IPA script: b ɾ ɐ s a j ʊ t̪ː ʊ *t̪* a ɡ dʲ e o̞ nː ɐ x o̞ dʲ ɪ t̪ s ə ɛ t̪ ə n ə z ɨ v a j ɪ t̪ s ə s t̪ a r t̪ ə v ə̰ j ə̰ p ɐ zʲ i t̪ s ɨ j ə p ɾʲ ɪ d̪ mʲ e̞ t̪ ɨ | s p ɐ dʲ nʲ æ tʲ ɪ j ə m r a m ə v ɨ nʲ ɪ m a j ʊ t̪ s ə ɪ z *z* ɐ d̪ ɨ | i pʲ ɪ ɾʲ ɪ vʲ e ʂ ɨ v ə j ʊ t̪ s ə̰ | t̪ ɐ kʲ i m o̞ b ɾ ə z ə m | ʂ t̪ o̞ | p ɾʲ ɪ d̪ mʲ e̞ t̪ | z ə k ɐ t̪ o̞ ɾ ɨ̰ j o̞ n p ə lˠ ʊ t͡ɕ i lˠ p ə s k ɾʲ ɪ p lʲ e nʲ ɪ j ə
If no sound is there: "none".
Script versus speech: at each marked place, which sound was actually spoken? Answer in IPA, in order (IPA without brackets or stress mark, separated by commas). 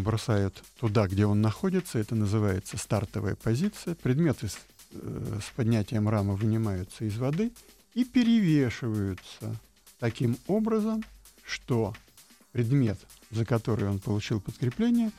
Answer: d̪, v